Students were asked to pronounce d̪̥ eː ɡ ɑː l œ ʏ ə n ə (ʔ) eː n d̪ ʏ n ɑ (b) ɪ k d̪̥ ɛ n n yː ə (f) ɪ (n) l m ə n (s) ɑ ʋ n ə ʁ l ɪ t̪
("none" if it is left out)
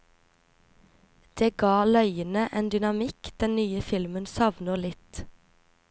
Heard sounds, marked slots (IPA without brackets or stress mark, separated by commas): ʔ, m, f, none, s